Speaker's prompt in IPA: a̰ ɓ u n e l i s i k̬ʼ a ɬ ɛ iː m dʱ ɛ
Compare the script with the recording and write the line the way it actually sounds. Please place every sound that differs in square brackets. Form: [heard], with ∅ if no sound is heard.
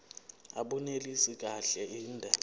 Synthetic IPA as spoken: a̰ ɓ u n e l i s i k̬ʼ a ɬ ɛ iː [n] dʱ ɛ